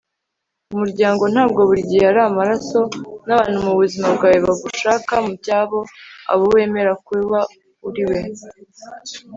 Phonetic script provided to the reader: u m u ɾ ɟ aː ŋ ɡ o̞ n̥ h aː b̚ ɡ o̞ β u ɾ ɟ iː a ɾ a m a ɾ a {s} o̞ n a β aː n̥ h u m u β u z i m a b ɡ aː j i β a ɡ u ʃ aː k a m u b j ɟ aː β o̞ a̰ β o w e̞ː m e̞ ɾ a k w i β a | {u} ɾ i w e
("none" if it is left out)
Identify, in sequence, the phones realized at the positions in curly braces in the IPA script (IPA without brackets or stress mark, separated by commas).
s, u